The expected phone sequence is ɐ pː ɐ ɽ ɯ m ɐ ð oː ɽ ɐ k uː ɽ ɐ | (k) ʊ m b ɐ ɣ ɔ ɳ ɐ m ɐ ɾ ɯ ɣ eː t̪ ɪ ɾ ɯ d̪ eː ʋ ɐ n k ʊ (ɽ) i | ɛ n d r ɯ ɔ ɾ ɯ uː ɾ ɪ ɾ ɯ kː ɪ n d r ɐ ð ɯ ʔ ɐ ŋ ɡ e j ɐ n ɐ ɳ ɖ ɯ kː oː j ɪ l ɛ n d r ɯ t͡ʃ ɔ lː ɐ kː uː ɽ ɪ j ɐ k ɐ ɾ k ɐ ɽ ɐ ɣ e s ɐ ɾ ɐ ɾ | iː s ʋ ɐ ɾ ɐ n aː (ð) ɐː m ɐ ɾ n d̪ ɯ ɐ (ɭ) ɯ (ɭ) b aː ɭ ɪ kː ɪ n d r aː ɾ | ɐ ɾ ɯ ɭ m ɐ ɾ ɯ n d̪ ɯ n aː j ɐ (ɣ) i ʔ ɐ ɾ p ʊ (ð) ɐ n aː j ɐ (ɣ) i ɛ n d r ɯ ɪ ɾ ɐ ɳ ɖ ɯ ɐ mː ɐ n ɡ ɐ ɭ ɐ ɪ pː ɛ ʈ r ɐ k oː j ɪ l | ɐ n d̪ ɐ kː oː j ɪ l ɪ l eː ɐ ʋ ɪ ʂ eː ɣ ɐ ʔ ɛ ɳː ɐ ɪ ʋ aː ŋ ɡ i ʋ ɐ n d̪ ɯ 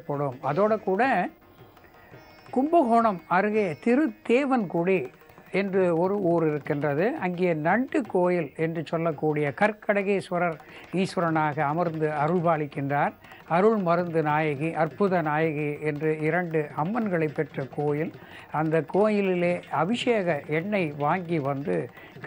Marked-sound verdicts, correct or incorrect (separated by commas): correct, correct, incorrect, incorrect, correct, correct, correct, correct